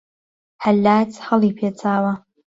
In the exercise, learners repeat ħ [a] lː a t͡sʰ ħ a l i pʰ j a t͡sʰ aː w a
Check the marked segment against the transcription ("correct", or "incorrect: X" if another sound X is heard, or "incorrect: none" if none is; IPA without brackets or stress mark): correct